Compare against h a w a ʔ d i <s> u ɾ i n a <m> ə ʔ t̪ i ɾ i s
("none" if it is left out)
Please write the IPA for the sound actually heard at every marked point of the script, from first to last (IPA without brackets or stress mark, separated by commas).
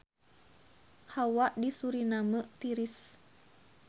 s, m